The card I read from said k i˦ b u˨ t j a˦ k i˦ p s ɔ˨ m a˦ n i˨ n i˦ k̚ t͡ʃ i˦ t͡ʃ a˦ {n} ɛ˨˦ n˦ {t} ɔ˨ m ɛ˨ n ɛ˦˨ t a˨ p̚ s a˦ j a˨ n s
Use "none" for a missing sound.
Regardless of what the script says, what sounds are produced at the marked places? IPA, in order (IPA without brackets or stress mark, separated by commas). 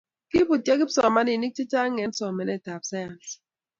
ŋ, s